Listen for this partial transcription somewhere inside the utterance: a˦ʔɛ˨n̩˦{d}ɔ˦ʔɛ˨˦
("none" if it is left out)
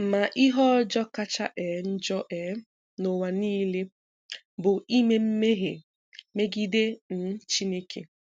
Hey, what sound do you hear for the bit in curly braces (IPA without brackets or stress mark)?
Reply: d͡ʒ